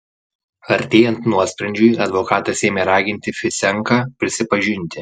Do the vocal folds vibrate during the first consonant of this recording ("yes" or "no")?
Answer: yes